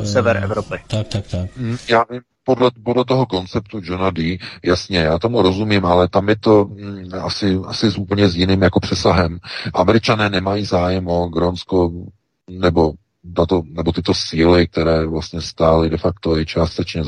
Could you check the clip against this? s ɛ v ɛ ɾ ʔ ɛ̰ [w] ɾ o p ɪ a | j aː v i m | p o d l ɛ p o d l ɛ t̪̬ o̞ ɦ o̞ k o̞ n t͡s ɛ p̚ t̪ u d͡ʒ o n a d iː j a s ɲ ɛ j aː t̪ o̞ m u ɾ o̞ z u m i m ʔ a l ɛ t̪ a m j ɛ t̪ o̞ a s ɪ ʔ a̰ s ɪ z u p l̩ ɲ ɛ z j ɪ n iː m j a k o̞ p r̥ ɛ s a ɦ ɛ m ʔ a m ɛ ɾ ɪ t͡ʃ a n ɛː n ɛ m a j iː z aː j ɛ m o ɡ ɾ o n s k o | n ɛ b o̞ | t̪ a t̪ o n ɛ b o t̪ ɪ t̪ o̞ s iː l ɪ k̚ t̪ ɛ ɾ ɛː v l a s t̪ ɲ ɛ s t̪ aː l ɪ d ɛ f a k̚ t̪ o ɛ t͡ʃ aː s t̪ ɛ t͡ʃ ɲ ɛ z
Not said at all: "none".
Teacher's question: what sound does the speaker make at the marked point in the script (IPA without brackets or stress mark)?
v